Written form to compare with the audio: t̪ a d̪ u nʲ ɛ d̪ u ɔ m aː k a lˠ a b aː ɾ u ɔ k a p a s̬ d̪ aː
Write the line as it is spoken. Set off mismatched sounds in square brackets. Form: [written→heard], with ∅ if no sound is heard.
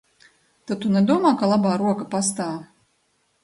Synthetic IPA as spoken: t̪ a [d̪→t̪] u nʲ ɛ d̪ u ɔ m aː k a lˠ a b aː ɾ u ɔ k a p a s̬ [d̪→t̪] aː